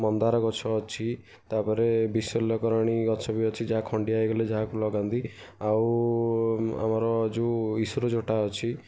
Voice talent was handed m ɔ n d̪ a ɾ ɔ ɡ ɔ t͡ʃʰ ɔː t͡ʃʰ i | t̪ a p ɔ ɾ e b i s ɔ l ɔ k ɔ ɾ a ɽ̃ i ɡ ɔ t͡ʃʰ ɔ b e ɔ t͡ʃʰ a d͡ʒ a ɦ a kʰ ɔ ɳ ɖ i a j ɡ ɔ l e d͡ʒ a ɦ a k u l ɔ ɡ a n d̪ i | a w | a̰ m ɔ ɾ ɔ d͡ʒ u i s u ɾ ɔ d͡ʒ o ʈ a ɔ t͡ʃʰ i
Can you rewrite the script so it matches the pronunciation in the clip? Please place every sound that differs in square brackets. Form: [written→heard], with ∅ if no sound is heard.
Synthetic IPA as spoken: m ɔ n d̪ a ɾ ɔ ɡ ɔ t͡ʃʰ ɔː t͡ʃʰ i | t̪ a p ɔ ɾ e b i s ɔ l ɔ k ɔ ɾ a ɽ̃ i ɡ ɔ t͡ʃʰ ɔ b [e→i] ɔ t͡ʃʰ [a→i] d͡ʒ a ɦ a kʰ ɔ ɳ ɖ i a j ɡ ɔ l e d͡ʒ a ɦ a k u l ɔ ɡ a n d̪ i | a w | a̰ m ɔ ɾ ɔ d͡ʒ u i s u ɾ ɔ d͡ʒ o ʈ a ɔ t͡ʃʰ i